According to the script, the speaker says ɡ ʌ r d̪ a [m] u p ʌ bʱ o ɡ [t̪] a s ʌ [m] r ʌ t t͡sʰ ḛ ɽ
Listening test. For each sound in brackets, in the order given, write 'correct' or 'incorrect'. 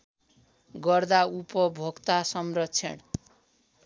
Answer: incorrect: none, correct, correct

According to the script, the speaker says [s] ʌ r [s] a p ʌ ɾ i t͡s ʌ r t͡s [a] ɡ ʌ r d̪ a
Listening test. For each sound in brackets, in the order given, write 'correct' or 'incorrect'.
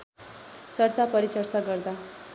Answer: incorrect: t͡s, incorrect: t͡s, correct

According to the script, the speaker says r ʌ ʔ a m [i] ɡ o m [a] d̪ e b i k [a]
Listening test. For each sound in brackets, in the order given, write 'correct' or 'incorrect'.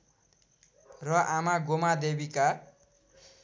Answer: incorrect: a, correct, correct

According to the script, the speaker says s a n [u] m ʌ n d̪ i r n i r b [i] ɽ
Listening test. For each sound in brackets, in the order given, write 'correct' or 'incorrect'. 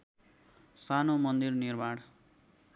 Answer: incorrect: o, incorrect: a

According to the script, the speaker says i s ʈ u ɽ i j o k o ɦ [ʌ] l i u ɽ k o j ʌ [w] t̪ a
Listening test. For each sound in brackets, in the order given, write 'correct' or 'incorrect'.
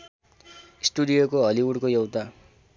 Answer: correct, correct

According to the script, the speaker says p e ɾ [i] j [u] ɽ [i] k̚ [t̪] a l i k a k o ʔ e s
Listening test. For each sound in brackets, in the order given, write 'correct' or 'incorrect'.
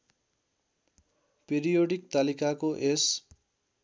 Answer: correct, incorrect: o, correct, correct

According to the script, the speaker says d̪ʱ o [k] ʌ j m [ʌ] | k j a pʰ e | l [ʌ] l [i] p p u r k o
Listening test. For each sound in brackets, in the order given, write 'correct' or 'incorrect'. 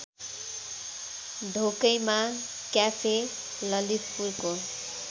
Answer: correct, incorrect: a, correct, correct

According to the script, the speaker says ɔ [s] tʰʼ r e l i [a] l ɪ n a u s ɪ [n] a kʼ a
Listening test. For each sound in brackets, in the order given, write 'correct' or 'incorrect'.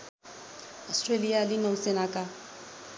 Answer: correct, correct, correct

